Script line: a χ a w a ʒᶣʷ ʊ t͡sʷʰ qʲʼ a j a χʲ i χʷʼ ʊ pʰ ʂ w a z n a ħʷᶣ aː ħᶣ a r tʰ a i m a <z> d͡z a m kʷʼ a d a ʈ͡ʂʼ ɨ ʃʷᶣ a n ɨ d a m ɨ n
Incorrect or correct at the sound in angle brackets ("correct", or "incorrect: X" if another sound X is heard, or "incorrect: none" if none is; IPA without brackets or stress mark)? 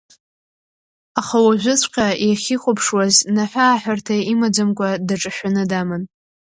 incorrect: none